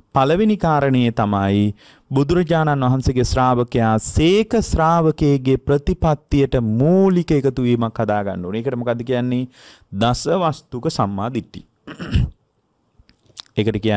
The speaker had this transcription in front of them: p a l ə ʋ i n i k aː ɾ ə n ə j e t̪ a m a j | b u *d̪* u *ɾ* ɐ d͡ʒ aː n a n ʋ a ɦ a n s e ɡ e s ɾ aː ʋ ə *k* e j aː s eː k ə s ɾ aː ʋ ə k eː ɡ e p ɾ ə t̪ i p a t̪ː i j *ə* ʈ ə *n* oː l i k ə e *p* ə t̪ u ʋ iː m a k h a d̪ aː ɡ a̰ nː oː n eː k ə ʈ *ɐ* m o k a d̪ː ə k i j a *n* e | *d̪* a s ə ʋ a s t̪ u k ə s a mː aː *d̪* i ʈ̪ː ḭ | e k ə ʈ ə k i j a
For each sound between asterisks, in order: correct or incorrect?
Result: correct, correct, correct, correct, incorrect, incorrect, incorrect, incorrect, correct, correct

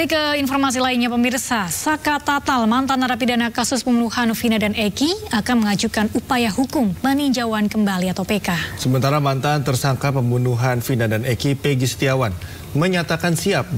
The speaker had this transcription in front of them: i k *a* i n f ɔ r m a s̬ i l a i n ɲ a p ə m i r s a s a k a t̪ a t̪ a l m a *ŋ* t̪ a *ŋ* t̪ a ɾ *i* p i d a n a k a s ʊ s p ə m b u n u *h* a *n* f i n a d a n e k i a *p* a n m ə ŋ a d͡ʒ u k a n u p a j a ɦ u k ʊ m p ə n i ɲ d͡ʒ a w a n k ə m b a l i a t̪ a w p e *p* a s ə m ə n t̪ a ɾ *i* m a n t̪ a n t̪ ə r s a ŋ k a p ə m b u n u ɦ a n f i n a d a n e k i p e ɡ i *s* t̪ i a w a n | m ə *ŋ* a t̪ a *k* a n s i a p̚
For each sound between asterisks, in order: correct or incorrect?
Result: incorrect, incorrect, incorrect, incorrect, correct, correct, incorrect, incorrect, incorrect, correct, incorrect, correct

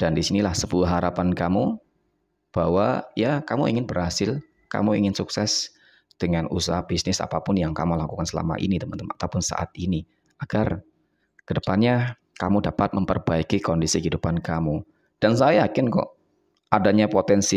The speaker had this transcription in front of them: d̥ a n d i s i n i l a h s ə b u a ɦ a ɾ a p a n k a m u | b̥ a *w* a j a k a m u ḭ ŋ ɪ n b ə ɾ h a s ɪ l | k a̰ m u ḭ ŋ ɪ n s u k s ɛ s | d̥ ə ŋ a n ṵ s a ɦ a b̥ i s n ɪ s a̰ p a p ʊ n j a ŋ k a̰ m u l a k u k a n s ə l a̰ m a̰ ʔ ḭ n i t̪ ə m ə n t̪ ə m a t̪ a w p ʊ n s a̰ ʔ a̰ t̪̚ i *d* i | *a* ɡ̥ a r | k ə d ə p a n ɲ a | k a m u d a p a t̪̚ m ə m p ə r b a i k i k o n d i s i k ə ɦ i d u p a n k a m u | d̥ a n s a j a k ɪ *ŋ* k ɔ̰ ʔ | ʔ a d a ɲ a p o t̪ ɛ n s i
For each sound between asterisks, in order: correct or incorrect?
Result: correct, incorrect, correct, incorrect

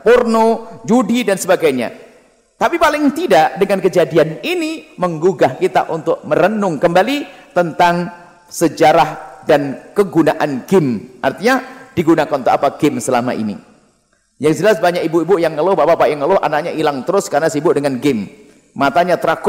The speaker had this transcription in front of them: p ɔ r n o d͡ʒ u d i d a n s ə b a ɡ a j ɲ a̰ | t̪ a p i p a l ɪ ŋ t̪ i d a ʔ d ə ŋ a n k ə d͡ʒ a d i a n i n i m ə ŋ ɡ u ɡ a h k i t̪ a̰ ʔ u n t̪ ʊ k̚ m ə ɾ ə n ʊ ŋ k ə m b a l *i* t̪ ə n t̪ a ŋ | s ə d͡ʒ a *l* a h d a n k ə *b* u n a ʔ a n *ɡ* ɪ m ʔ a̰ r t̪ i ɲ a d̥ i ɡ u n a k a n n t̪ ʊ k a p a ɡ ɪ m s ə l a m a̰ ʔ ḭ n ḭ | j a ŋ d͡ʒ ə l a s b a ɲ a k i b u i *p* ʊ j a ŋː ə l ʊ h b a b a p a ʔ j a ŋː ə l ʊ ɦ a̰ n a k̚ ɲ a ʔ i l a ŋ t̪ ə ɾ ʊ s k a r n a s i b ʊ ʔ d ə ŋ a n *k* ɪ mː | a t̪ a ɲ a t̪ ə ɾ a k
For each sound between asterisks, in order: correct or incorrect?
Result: correct, incorrect, incorrect, correct, incorrect, incorrect

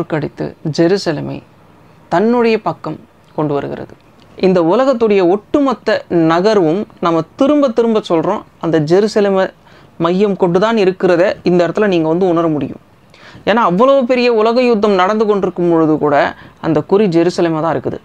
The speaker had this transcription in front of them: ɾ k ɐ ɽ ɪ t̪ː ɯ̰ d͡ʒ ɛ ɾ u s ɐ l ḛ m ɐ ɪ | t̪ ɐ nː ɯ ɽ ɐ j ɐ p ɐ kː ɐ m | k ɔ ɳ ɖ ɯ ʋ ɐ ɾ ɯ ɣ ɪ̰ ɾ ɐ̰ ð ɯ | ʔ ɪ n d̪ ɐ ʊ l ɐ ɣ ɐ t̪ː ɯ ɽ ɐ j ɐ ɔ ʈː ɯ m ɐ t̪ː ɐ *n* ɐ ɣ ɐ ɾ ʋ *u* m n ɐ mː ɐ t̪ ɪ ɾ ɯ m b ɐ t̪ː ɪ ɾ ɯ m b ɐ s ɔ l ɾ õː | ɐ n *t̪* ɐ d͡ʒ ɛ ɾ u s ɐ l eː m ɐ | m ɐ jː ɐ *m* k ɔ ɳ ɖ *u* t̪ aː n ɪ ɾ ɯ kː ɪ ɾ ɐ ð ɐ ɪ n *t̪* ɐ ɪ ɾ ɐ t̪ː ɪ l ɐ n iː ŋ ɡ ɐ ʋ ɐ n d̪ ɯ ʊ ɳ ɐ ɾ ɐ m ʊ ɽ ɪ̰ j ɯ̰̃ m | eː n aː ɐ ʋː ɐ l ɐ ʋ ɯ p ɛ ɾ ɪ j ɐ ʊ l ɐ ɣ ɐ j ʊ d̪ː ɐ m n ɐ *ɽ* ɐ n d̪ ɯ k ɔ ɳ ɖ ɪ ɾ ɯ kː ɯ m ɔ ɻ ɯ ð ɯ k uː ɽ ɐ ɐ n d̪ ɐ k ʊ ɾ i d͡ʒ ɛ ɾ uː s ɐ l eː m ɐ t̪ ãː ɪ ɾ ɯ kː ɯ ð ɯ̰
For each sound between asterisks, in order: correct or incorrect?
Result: correct, incorrect, incorrect, correct, incorrect, incorrect, correct

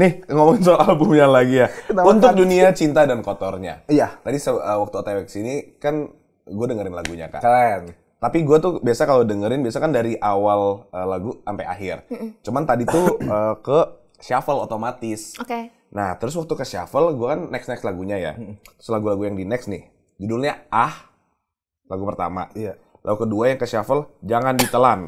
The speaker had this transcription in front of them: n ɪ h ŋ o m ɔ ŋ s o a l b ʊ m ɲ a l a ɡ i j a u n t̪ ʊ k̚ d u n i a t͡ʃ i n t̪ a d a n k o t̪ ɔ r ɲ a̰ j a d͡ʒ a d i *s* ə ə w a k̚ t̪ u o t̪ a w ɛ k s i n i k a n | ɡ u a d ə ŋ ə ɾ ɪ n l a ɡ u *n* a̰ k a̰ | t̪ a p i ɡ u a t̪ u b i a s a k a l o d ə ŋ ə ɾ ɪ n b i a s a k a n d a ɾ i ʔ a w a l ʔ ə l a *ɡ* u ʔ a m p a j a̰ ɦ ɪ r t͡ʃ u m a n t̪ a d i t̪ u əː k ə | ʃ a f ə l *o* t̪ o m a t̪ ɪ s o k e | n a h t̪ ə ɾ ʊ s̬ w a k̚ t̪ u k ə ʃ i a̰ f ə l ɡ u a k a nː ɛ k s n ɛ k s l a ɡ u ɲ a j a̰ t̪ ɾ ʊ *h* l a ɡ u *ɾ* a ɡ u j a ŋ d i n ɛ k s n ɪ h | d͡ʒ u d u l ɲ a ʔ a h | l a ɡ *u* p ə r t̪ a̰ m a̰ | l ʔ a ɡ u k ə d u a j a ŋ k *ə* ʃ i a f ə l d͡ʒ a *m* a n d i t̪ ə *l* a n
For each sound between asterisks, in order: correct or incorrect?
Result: correct, incorrect, correct, correct, incorrect, incorrect, correct, correct, incorrect, correct

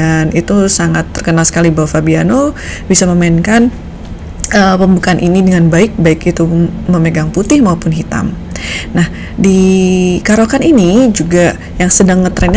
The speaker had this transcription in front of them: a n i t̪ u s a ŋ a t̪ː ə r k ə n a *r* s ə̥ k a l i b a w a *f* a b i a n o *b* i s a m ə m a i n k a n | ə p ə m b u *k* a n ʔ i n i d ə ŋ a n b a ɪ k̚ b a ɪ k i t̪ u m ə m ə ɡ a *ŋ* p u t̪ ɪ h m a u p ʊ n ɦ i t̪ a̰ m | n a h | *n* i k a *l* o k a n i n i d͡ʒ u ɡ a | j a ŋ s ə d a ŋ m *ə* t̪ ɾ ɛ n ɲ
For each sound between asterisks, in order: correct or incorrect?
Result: incorrect, correct, correct, correct, correct, incorrect, incorrect, correct

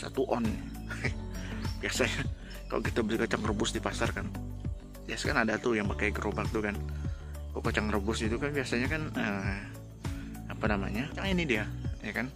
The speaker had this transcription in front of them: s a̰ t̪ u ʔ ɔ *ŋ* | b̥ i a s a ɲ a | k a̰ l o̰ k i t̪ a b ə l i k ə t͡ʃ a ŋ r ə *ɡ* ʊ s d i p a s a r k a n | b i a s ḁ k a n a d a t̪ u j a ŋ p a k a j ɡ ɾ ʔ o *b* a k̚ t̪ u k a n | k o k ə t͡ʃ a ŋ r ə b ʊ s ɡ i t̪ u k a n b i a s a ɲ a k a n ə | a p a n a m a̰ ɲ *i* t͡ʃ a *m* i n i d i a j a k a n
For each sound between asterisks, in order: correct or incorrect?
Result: incorrect, incorrect, correct, incorrect, incorrect

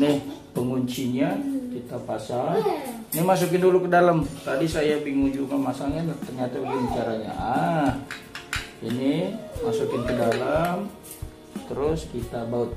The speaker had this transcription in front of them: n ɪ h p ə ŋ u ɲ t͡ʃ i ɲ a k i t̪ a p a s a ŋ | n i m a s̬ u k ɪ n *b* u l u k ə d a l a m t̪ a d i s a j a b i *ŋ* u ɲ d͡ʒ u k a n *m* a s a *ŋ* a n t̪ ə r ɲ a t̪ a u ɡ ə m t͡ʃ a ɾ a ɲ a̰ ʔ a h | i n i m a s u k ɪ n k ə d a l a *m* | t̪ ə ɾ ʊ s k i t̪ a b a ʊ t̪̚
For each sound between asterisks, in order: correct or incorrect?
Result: incorrect, correct, correct, correct, correct

